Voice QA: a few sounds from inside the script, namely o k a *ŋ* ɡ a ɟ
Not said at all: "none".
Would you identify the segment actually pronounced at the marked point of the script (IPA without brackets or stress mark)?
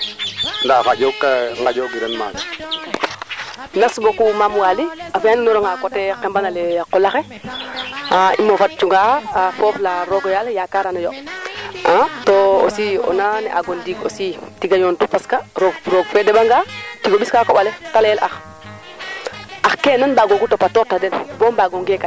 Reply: ŋ